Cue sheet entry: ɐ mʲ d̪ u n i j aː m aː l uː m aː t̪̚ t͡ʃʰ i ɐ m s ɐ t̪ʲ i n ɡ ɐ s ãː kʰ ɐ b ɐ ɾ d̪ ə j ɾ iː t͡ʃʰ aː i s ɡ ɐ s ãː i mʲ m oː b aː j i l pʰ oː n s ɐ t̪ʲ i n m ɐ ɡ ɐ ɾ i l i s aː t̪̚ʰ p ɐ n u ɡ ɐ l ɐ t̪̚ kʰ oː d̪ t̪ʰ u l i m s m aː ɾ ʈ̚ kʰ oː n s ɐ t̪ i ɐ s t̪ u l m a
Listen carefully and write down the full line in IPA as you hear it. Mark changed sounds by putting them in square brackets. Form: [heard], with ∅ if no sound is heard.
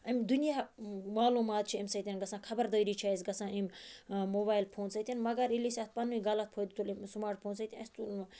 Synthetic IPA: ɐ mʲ d̪ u n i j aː m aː l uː m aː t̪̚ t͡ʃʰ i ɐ m s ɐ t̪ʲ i n ɡ ɐ s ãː kʰ ɐ b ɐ ɾ d̪ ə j ɾ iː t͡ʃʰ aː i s ɡ ɐ s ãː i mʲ m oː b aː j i l pʰ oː n s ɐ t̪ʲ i n m ɐ ɡ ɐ ɾ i l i s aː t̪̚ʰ p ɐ n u ɡ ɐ l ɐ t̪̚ [pʰ] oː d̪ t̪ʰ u l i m s m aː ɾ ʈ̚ [pʰ] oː n s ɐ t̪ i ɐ s t̪ u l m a